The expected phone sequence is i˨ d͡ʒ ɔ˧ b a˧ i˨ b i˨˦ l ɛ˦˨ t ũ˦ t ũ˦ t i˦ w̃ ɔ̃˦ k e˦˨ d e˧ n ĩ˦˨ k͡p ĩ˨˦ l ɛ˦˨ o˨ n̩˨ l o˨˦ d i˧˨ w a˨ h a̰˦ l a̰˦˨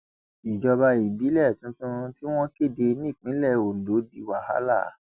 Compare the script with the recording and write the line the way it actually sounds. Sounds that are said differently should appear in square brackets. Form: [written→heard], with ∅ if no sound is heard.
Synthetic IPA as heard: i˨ d͡ʒ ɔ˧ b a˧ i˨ b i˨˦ l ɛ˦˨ t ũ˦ t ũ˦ t i˦ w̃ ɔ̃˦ k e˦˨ d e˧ n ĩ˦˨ k͡p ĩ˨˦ l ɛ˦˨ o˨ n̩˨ l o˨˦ d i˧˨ w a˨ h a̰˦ l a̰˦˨